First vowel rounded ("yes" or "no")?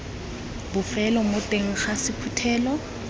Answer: yes